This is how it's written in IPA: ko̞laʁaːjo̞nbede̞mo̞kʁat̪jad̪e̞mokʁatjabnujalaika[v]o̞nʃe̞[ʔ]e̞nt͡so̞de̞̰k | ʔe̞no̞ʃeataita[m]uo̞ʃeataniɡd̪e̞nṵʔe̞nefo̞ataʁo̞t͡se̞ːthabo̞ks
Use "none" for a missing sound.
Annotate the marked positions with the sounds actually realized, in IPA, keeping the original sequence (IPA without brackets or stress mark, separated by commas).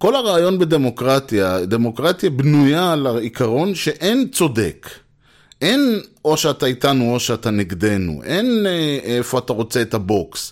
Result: ʁ, ʔ, n